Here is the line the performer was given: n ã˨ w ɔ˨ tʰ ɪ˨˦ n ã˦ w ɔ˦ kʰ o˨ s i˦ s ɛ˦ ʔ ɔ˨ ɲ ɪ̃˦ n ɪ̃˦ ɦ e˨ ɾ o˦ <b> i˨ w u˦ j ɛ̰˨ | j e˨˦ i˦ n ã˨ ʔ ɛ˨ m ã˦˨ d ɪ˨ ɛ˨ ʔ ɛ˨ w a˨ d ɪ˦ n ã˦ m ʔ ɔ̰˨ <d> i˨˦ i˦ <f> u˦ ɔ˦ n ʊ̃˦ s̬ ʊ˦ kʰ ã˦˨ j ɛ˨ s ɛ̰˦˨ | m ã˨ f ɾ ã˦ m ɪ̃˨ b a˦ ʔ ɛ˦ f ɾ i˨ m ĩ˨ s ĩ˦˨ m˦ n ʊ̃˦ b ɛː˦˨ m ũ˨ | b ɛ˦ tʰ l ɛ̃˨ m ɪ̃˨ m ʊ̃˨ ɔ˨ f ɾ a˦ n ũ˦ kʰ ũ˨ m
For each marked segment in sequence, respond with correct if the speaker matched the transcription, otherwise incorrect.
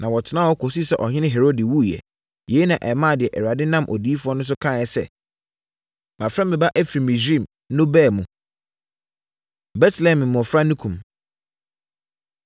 incorrect: d, correct, correct

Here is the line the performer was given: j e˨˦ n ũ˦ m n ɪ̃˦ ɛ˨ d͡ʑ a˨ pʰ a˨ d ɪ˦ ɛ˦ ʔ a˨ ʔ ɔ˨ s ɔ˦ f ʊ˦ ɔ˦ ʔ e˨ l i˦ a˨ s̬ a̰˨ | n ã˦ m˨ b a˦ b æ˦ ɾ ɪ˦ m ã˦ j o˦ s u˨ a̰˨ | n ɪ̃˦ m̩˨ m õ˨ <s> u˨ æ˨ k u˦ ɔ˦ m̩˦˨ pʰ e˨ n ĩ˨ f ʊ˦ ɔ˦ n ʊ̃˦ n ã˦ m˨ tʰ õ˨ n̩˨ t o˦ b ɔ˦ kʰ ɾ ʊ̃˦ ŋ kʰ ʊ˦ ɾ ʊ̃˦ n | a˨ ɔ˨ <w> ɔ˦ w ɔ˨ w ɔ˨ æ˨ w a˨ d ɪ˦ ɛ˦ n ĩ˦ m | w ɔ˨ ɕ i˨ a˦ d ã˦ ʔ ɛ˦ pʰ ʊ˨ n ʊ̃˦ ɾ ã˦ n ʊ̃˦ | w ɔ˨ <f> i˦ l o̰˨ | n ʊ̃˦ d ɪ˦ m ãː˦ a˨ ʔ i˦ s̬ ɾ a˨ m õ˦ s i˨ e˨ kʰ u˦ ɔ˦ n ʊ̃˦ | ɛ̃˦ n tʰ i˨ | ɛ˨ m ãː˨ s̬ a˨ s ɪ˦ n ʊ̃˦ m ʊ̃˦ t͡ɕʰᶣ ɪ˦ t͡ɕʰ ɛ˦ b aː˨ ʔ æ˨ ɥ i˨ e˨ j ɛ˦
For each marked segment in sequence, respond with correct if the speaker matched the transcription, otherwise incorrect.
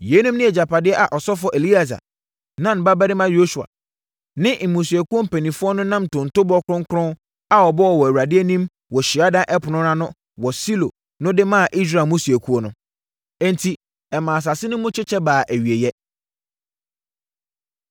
correct, incorrect: b, incorrect: s

